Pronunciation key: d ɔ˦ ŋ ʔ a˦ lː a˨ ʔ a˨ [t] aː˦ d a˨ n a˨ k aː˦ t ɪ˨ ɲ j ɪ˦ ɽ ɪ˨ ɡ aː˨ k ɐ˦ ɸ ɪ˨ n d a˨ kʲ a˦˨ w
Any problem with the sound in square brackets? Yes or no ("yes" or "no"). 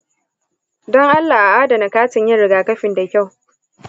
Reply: yes